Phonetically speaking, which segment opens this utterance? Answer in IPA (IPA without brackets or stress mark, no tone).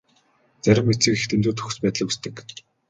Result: t͡s